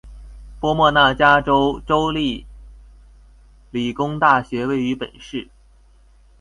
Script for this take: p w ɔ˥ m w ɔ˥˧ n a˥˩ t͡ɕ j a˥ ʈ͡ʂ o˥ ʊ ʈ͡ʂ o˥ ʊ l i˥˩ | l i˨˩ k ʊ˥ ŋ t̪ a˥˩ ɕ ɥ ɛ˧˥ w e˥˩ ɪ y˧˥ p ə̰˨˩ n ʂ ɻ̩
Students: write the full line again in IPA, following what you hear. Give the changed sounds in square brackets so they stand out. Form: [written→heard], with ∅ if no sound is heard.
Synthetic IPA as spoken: p w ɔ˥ m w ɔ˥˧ n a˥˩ t͡ɕ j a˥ ʈ͡ʂ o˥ ʊ ʈ͡ʂ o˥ ʊ l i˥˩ | l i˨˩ k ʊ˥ ŋ t̪ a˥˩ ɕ ɥ ɛ˧˥ w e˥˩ ɪ y˧˥ p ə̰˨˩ n ʂ ɻ̩